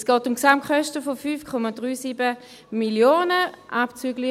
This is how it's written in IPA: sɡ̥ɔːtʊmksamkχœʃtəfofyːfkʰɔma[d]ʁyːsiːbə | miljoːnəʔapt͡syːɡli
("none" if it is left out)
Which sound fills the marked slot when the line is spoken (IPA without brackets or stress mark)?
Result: d